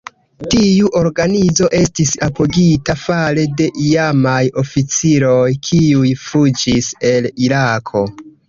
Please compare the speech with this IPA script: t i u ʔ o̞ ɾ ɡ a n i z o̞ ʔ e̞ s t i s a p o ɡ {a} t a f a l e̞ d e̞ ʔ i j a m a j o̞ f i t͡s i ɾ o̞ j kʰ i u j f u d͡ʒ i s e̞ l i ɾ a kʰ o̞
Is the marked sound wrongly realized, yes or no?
yes